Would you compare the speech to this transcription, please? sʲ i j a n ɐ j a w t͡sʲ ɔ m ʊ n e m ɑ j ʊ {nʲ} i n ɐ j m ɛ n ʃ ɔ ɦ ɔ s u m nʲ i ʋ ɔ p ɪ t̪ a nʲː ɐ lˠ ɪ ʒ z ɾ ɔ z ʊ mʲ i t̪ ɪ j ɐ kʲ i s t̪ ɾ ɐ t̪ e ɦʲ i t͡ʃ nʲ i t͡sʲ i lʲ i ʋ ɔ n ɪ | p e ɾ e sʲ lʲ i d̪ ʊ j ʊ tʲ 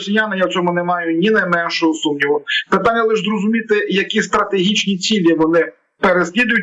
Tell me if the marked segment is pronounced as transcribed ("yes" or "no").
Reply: yes